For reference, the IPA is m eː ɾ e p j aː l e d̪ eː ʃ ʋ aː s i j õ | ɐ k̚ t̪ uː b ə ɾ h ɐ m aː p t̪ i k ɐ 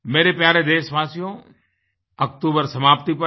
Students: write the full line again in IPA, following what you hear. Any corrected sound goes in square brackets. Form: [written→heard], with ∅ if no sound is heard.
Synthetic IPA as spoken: m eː ɾ e p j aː [l→ɾ] e d̪ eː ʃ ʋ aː s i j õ | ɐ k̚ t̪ uː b ə ɾ [h→s] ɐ m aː p t̪ i [k→p] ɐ